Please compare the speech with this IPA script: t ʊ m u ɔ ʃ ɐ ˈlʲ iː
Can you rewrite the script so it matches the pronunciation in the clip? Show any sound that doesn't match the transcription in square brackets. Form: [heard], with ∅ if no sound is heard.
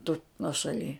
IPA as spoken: t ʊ [n] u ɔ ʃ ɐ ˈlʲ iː